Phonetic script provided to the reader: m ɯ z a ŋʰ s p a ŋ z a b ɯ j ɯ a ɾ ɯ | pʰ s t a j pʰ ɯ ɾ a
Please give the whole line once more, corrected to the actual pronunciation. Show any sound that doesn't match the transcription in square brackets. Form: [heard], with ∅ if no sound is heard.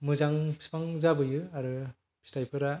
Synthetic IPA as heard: m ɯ z a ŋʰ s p a ŋ z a b ɯ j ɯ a ɾ ɯ | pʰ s t a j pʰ ɯ ɾ a